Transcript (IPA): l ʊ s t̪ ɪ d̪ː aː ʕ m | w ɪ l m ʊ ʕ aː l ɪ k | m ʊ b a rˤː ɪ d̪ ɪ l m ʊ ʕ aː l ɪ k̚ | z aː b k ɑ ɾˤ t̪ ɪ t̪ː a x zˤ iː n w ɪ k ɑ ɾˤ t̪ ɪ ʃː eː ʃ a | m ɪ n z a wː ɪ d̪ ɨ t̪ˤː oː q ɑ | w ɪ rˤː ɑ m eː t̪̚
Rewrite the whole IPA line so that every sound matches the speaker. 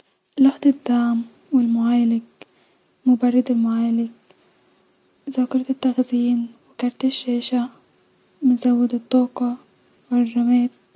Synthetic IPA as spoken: l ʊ ħ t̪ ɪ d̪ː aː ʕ m | w ɪ l m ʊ ʕ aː l ɪ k | m ʊ b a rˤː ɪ d̪ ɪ l m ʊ ʕ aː l ɪ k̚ | z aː k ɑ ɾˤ t̪ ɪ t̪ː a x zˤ iː n w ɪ k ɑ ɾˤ t̪ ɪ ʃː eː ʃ a | m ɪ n z a wː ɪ d̪ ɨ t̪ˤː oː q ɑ | w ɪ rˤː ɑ m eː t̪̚